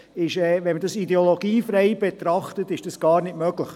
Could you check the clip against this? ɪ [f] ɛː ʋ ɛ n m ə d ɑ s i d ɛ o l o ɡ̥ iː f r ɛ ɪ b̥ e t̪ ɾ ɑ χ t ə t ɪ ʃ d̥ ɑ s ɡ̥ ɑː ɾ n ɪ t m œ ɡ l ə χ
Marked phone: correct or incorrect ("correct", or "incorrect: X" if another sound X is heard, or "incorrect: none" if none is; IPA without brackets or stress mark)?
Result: incorrect: ʃ